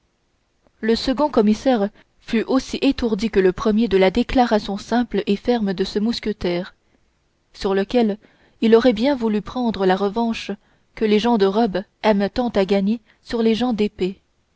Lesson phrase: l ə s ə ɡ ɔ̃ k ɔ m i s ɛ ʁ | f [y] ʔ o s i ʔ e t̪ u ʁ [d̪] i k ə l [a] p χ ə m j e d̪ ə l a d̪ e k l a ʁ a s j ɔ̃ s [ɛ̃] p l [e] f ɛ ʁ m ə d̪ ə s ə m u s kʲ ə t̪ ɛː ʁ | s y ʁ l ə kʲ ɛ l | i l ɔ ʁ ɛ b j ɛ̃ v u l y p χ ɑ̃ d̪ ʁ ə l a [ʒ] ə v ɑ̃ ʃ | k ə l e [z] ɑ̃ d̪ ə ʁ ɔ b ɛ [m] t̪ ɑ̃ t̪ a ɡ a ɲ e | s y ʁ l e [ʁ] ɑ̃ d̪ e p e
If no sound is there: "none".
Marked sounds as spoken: y, d̪, ə, ɛ̃, e, ʁ, ʒ, m, ʒ

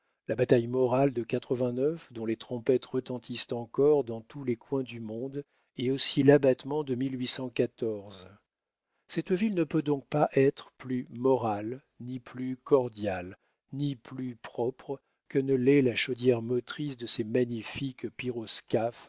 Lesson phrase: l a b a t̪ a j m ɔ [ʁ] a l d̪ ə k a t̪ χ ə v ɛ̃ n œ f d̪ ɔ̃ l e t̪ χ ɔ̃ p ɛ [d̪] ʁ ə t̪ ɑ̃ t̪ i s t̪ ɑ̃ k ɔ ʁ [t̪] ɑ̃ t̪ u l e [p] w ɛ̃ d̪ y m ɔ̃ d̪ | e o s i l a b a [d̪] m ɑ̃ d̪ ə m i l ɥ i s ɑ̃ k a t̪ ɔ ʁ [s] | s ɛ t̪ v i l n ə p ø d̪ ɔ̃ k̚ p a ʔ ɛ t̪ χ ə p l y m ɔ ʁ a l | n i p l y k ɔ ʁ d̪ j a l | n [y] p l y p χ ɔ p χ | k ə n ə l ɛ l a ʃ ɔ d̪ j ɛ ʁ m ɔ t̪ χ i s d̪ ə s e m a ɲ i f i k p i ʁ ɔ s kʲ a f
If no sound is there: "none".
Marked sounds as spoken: ʁ, t̪, d̪, k, t̪, z, i

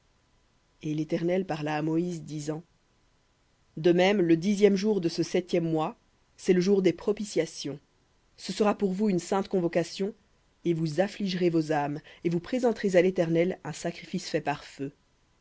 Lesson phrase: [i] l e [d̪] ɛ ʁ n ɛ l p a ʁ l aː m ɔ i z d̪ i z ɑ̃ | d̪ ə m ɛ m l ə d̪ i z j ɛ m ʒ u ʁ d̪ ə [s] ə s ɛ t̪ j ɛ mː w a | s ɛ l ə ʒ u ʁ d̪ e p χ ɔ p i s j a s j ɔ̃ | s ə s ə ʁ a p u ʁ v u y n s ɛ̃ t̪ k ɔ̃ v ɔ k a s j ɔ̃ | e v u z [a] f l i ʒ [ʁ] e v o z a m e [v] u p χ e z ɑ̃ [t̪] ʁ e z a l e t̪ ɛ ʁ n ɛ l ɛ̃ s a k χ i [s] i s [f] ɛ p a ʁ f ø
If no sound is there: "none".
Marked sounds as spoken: e, t̪, s, a, ʁ, v, t̪, f, f

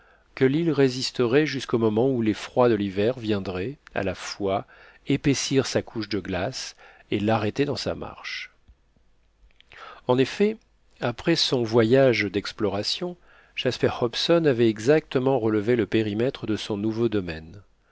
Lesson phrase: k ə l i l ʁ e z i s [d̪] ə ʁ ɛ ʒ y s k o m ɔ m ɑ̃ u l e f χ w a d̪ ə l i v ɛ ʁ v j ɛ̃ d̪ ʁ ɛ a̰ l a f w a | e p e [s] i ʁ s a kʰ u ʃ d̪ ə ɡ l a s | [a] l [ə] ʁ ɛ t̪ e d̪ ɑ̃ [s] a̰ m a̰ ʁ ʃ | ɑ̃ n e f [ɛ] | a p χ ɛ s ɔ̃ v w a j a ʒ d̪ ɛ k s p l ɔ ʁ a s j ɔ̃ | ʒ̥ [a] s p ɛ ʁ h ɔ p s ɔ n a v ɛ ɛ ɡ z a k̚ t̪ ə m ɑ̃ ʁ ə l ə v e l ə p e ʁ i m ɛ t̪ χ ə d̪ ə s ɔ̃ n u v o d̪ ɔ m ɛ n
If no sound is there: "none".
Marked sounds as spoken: t̪, s, e, a, s, ɛ, a

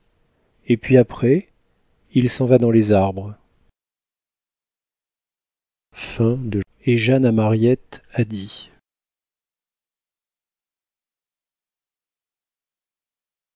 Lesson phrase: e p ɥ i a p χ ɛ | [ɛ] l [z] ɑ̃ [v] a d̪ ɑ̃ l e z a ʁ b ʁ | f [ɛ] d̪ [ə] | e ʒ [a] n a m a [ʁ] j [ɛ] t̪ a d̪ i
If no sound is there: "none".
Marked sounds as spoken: i, s, v, ɛ̃, ə, a, ʁ, ɛ

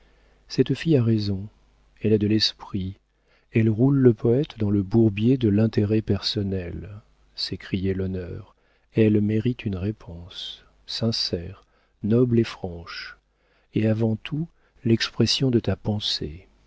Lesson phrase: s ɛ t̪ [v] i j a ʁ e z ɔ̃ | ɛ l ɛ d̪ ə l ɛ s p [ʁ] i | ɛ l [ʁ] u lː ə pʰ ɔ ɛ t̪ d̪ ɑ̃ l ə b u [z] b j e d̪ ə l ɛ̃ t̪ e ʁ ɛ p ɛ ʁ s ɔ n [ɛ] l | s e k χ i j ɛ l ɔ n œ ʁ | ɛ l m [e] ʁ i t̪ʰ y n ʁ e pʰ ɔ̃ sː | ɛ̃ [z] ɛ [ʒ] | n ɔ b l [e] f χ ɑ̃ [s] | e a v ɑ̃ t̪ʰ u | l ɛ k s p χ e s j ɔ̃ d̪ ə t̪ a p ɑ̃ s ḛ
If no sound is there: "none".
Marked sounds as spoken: f, χ, ʁ, ʁ, ɛ, e, s, ʁ, e, ʃ

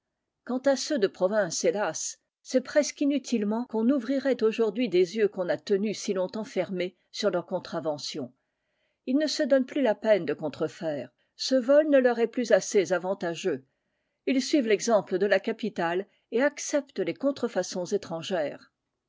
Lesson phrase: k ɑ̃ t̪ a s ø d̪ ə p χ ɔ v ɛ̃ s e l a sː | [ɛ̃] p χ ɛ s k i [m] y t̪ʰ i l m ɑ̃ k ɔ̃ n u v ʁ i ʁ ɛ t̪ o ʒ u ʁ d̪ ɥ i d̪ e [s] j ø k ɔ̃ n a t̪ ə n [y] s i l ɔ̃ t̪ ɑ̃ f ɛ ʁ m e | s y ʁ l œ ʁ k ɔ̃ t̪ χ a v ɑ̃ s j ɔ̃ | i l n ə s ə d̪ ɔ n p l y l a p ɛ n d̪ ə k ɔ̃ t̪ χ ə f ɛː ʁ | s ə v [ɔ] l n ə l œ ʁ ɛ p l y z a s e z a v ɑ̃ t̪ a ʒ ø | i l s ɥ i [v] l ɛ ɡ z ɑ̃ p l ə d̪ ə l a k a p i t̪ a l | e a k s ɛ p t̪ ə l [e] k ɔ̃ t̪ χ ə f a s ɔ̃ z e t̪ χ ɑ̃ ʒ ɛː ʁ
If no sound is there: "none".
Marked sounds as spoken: ɛ, n, z, y, ɔ, v, e

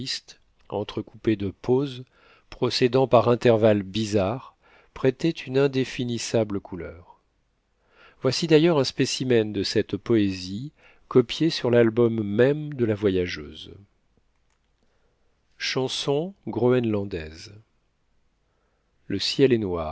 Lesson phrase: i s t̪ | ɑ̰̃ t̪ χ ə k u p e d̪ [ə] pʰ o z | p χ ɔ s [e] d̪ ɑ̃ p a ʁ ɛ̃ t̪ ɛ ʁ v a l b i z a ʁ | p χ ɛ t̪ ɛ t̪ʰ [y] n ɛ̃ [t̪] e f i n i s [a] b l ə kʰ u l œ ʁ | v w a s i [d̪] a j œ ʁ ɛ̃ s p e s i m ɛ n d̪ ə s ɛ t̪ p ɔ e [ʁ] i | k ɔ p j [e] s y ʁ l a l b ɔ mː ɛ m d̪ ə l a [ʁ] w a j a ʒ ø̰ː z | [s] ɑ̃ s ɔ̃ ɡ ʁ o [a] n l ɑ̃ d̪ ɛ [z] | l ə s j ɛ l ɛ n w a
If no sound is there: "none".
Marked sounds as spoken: ə, e, y, d̪, a, d̪, z, e, v, ʃ, ɛ, z

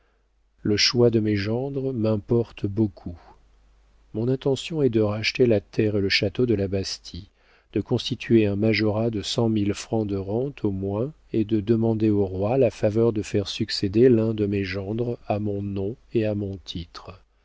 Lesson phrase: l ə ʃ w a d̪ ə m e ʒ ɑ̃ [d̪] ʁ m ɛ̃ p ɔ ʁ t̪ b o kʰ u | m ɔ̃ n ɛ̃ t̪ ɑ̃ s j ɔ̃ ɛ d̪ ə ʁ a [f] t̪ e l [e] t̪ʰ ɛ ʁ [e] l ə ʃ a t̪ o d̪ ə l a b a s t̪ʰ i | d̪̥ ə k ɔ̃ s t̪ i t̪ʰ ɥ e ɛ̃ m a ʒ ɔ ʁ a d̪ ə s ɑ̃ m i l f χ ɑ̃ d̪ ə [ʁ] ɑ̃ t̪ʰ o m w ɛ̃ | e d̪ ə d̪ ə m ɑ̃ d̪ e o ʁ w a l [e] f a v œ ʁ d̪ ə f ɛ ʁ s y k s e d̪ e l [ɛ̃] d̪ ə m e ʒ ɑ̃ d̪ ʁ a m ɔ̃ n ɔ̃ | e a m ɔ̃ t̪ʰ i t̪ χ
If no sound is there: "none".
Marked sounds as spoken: d̪, ʃ, a, e, ʁ, a, ɛ̃

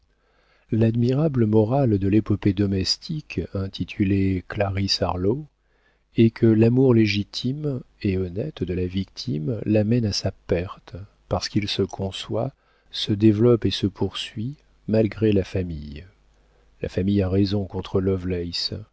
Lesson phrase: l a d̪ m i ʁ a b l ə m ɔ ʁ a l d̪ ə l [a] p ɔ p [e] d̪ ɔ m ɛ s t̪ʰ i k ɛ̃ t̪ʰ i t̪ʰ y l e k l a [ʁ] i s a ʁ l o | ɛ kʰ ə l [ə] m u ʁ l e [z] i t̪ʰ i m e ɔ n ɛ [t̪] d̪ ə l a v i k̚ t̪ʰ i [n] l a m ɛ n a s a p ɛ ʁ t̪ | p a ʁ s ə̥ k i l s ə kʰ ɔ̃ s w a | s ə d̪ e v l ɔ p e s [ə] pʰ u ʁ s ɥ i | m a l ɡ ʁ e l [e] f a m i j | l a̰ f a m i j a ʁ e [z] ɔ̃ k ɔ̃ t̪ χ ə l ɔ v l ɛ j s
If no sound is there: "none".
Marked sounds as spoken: e, e, ʁ, a, ʒ, t̪, m, ə, a, z

